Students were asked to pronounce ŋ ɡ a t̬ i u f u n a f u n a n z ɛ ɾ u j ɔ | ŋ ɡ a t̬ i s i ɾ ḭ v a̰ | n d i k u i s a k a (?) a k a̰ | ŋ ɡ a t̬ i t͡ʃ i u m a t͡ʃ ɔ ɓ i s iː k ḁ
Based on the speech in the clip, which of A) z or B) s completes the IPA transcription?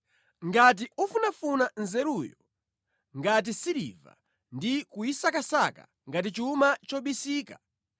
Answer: B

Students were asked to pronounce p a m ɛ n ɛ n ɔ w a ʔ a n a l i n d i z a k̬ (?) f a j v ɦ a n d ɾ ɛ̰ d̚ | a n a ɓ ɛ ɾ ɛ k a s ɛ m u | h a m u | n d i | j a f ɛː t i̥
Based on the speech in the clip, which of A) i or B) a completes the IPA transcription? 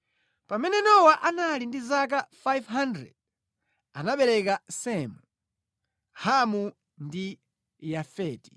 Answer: B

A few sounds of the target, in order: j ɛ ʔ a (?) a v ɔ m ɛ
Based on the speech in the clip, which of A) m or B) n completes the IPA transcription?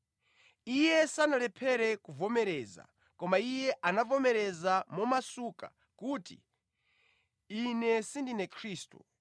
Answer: B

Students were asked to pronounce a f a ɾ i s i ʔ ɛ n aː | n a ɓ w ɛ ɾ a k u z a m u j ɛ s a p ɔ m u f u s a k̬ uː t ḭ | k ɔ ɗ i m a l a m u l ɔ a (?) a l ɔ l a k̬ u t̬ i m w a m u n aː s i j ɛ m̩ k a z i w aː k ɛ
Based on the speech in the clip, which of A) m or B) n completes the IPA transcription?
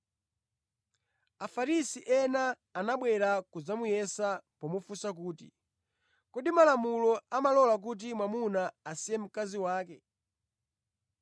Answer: A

